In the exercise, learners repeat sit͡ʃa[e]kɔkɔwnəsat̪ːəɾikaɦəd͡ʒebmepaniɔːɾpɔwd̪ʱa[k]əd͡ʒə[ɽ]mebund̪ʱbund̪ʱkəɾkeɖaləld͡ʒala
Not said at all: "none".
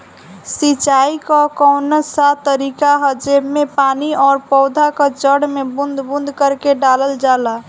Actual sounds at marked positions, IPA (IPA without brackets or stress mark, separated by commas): i, k, ɽ